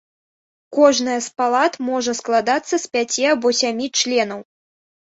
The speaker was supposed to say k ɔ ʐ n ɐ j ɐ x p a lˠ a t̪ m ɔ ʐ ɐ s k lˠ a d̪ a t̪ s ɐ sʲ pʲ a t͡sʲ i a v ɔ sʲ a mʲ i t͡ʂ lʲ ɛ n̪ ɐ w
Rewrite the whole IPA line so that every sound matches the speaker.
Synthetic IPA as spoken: k ɔ ʐ n ɐ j ɐ s p a lˠ a t̪ m ɔ ʐ ɐ s k lˠ a d̪ a t̪ sː ɐ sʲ pʲ a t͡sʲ i a b ɔ sʲ a mʲ i t͡ʂ lʲ ɛ n̪ ɐ w